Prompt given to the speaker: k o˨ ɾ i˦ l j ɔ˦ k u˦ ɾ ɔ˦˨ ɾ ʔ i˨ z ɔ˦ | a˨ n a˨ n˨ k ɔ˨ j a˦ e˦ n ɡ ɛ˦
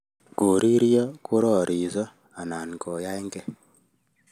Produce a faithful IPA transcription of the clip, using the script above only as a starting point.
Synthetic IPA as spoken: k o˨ ɾ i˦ ɾ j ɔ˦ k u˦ ɾ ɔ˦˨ ɾ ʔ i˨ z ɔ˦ | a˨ n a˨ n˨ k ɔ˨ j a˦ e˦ ŋ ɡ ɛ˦